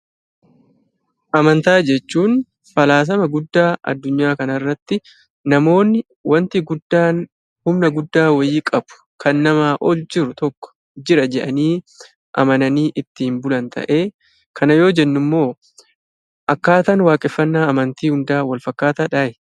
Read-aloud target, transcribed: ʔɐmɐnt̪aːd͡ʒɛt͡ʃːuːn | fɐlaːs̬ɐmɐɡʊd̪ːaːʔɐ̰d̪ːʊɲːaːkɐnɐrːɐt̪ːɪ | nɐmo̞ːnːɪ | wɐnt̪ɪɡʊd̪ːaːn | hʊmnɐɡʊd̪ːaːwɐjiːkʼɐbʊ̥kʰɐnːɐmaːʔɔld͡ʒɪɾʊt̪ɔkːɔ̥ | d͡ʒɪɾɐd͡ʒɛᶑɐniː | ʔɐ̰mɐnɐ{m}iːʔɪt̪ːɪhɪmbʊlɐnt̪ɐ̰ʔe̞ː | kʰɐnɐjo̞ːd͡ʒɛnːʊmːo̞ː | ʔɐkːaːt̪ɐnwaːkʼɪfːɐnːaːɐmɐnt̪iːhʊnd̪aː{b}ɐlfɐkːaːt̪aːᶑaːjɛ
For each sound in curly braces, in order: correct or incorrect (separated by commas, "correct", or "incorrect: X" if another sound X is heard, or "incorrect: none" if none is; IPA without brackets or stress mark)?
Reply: incorrect: n, incorrect: w